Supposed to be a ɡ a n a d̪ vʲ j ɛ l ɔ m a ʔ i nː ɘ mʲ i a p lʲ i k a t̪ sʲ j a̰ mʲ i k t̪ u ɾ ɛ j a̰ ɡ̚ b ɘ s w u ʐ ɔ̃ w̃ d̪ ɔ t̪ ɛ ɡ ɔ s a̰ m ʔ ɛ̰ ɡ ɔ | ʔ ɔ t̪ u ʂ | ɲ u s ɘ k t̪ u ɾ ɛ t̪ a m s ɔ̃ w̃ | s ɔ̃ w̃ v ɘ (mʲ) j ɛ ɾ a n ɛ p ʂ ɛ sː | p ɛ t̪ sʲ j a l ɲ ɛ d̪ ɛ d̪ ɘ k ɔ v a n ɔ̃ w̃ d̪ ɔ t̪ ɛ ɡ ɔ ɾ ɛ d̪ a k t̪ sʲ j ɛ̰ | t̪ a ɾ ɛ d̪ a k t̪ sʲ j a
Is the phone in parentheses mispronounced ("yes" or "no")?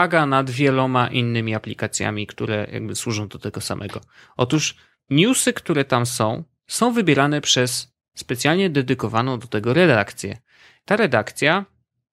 yes